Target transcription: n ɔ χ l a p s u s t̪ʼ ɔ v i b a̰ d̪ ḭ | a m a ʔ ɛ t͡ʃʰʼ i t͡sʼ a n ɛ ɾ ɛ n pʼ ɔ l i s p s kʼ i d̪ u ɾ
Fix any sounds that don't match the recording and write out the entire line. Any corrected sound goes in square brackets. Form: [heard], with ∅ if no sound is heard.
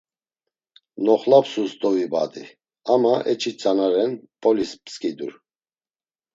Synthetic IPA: n ɔ χ l a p s u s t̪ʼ ɔ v i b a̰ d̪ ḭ | a m a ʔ ɛ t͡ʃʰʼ i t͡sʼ a n [a] ɾ ɛ n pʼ ɔ l i s p s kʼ i d̪ u ɾ